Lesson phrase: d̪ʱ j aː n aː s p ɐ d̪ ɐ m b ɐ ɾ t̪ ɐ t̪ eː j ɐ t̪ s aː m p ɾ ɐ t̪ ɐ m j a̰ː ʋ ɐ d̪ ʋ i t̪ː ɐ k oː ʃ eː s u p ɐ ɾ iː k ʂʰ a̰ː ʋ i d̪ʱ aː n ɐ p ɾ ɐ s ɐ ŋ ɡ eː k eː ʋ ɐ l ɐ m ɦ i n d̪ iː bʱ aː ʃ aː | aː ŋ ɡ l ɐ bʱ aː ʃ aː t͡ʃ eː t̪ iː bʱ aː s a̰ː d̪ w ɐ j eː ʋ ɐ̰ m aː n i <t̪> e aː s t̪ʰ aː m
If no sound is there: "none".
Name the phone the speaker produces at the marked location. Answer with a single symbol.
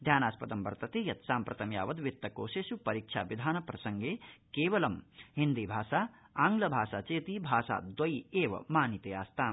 t̪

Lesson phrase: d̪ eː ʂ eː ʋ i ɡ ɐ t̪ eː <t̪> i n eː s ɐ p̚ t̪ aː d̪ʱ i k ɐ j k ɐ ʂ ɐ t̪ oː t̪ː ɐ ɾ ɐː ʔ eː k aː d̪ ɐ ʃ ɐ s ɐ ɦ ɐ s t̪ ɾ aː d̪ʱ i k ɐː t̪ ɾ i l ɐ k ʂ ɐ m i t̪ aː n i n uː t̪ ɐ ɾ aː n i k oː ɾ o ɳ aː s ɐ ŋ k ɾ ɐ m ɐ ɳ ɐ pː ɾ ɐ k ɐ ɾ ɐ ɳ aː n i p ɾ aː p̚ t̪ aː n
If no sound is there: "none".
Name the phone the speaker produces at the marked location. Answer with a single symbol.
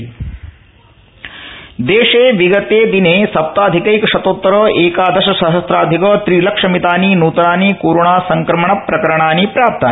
d̪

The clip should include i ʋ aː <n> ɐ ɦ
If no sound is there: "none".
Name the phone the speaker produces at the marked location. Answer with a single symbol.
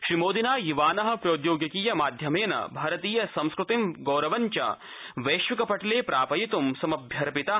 n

